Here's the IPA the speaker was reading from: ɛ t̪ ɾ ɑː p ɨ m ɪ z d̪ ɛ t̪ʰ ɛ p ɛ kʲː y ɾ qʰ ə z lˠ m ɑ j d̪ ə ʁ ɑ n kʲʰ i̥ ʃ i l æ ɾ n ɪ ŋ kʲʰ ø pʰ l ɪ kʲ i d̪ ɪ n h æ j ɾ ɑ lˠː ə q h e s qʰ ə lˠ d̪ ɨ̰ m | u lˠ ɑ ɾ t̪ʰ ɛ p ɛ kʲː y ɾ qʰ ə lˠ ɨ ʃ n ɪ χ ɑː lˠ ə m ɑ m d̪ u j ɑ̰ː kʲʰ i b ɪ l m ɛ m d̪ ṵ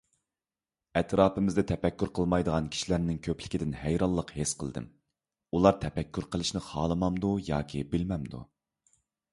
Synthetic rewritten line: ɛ t̪ ɾ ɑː p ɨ m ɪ z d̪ ɛ t̪ʰ ɛ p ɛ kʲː y ɾ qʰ ə lˠ m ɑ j d̪ ə ʁ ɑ n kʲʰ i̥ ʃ i l æ ɾ n ɪ ŋ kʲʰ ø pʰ l ɪ kʲ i d̪ ɪ n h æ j ɾ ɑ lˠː ə q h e s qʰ ə lˠ d̪ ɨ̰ m | u lˠ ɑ ɾ t̪ʰ ɛ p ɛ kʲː y ɾ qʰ ə lˠ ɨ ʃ n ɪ χ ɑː lˠ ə m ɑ m d̪ u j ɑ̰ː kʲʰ i b ɪ l m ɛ m d̪ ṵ